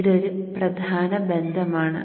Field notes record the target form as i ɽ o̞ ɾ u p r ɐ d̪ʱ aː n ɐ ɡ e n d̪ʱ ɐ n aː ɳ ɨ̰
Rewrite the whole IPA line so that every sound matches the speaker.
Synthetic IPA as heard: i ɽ o̞ ɾ u p r ɐ d̪ʱ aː n ɐ b e n d̪ʱ ɐ m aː ɳ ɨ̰